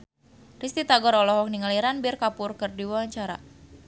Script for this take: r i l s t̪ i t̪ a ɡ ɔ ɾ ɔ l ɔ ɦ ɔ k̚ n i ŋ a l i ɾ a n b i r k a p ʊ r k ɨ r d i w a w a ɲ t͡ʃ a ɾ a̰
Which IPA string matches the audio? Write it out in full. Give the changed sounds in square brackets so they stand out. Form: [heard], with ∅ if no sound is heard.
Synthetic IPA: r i [∅] s t̪ i t̪ a ɡ ɔ ɾ ɔ l ɔ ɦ ɔ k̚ n i ŋ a l i ɾ a n b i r k a p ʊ r k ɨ r d i w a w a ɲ t͡ʃ a ɾ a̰